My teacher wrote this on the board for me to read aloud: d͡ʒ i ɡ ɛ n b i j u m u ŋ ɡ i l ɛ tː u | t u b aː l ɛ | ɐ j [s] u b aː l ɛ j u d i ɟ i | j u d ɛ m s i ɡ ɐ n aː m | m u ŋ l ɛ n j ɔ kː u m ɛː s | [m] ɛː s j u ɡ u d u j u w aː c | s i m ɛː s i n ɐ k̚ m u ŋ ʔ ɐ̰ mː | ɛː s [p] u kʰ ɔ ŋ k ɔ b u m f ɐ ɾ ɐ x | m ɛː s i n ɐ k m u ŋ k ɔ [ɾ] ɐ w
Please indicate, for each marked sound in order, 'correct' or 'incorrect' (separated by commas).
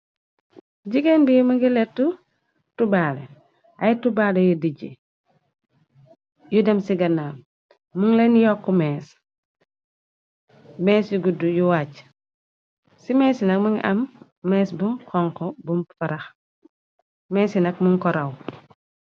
incorrect, correct, incorrect, correct